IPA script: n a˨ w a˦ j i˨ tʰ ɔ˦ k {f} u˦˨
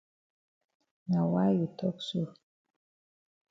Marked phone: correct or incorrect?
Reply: incorrect: s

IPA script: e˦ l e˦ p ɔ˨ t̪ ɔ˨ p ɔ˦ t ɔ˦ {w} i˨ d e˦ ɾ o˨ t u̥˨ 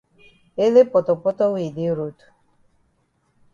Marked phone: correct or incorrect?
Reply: correct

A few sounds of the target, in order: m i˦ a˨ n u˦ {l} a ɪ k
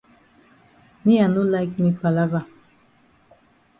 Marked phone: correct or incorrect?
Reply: correct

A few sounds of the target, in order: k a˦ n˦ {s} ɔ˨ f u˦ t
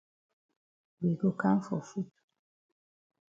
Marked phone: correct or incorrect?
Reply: incorrect: f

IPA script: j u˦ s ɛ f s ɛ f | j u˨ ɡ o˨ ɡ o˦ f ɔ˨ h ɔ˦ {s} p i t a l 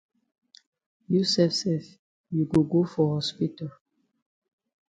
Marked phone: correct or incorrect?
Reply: correct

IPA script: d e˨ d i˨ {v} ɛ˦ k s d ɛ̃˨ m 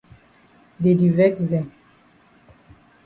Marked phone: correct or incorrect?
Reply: correct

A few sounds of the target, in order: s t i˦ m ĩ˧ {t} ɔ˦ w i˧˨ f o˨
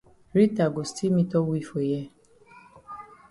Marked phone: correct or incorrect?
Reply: correct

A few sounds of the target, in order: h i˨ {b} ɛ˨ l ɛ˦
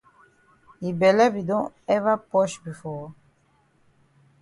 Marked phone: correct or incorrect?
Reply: correct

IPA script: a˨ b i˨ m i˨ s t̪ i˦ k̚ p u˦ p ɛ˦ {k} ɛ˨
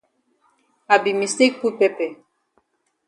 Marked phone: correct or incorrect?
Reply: incorrect: p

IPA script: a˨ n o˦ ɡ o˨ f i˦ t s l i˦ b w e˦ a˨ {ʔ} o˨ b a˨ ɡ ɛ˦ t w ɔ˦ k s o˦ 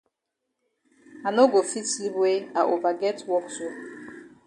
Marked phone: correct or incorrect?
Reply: correct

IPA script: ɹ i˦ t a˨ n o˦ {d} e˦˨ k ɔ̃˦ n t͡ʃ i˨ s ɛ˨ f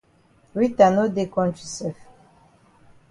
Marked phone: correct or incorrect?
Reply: correct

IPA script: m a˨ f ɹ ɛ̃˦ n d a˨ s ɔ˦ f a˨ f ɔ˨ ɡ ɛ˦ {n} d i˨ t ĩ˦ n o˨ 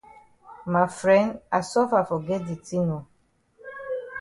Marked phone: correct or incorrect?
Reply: incorrect: none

